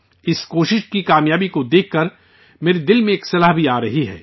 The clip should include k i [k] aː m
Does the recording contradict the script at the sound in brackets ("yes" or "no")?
no